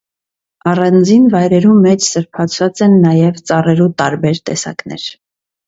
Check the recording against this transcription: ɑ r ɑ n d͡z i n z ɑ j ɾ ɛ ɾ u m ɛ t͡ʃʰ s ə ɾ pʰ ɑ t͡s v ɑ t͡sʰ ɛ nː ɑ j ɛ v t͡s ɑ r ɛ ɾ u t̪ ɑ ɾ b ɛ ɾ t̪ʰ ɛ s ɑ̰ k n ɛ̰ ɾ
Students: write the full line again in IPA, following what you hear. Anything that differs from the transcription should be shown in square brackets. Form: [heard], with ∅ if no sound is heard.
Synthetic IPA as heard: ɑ r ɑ n d͡z i n [v] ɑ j ɾ ɛ ɾ u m ɛ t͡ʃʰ s ə ɾ pʰ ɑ [t͡sʰ] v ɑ [t͡s] ɛ nː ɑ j ɛ v t͡s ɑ r ɛ ɾ u t̪ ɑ ɾ b ɛ ɾ [t̪] ɛ s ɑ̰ k n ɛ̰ ɾ